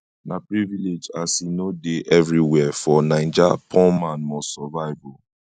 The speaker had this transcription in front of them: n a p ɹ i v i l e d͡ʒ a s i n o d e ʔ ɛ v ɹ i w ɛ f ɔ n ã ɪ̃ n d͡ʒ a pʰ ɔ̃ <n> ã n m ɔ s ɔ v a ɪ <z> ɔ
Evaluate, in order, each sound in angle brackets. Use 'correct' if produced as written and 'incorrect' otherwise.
incorrect, incorrect

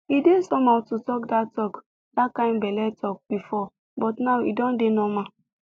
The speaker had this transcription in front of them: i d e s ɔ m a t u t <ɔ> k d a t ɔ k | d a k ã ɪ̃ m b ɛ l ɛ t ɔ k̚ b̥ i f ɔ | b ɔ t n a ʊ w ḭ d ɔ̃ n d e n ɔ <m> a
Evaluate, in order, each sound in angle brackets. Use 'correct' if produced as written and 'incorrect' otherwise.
correct, correct

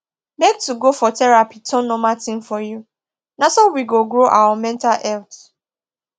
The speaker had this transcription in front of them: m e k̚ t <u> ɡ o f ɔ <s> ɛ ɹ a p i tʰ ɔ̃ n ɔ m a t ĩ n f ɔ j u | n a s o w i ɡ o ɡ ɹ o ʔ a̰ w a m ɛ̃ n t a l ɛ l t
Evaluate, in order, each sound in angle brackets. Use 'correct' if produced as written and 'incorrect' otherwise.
correct, incorrect

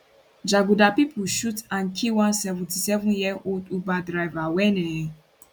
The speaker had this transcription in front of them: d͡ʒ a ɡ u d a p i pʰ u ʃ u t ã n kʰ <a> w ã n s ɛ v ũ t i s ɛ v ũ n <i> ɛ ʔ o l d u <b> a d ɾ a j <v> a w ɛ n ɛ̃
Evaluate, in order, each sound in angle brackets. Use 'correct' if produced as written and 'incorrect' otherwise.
incorrect, incorrect, correct, correct

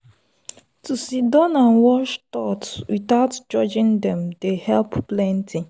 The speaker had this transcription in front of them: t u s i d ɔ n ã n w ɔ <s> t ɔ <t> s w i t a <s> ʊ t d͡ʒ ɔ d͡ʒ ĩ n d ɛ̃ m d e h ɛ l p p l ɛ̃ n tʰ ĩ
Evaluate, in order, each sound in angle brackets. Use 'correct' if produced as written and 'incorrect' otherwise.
incorrect, correct, incorrect

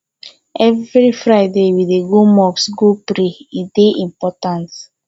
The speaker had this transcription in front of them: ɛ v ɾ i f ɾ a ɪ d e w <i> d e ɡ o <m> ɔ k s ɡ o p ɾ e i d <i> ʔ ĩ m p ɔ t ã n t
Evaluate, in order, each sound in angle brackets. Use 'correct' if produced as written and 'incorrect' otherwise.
correct, correct, incorrect

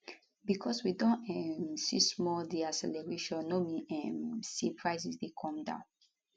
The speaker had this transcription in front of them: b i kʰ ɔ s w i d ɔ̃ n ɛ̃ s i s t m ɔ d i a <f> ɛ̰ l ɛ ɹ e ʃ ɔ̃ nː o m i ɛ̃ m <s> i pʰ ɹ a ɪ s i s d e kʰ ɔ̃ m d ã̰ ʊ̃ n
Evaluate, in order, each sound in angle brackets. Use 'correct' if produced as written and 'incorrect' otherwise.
incorrect, correct

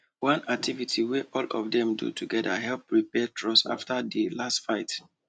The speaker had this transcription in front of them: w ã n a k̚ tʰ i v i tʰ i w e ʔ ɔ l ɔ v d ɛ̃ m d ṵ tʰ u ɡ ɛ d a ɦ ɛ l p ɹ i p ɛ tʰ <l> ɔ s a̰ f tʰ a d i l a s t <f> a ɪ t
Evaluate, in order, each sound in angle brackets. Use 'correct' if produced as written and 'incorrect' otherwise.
incorrect, correct

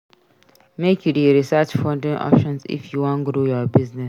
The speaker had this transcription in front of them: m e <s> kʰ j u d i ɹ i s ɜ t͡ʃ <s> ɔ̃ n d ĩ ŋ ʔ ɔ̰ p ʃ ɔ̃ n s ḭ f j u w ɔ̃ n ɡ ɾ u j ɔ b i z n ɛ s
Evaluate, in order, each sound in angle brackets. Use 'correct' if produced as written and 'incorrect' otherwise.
incorrect, incorrect

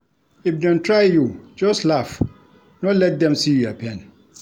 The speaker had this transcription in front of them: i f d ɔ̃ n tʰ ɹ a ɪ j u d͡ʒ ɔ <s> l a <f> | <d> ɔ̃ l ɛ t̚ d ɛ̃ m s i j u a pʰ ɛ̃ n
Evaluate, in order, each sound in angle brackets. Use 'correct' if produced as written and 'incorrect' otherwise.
correct, correct, incorrect

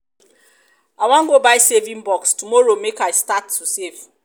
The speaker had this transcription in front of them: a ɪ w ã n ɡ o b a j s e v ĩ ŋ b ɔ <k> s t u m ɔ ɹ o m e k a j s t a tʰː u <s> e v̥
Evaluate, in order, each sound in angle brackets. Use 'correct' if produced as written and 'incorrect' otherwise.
correct, correct

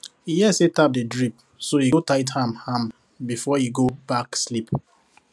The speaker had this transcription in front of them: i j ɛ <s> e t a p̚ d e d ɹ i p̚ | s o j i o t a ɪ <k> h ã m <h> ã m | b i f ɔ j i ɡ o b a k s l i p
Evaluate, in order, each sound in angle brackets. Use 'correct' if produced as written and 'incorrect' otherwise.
correct, incorrect, correct

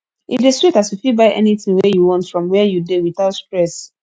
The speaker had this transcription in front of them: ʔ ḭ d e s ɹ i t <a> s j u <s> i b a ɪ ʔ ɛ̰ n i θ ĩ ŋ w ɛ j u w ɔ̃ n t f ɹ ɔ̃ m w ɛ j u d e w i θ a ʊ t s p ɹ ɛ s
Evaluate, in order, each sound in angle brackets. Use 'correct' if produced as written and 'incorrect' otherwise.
correct, incorrect

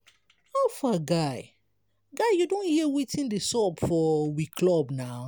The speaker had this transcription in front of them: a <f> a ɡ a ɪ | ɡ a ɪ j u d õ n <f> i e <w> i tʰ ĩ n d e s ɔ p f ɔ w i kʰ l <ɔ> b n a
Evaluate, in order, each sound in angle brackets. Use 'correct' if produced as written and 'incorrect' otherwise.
correct, incorrect, correct, correct

